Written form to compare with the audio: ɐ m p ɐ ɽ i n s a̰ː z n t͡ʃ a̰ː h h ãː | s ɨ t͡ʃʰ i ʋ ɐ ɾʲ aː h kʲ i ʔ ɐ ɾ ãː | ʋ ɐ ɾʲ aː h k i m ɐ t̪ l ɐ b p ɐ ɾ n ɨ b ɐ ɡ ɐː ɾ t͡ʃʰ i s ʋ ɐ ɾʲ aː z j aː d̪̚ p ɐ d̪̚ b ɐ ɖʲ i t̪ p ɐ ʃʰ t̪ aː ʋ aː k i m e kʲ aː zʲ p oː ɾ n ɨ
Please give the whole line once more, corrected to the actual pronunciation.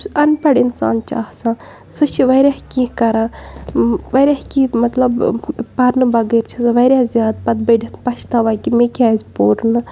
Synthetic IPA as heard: ɐ n p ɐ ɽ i n s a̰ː n t͡ʃ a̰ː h s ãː | s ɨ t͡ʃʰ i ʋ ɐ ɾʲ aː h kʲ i k ɐ ɾ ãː | ʋ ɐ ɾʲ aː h k i m ɐ t̪ l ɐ b p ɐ ɾ n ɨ b ɐ ɡ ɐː ɾ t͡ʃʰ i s ʋ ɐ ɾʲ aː z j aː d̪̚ p ɐ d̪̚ b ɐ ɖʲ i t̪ p ɐ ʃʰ t̪ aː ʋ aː k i m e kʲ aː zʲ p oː ɾ n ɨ